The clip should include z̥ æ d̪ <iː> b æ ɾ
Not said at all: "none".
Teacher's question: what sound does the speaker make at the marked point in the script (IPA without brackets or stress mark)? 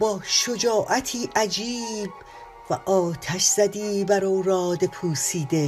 iː